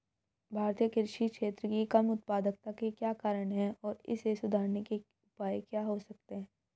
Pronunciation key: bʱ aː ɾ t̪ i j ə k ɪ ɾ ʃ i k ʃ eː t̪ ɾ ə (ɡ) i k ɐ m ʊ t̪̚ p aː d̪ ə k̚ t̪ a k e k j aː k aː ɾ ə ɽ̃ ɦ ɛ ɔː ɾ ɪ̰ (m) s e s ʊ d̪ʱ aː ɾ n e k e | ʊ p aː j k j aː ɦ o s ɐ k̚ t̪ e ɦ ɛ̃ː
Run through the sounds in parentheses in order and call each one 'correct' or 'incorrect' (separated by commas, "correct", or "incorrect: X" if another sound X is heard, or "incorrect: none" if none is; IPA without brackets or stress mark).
incorrect: k, incorrect: none